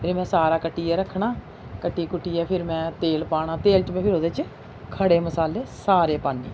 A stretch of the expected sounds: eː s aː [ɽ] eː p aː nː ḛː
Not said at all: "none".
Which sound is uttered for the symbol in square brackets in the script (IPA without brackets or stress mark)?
ɾ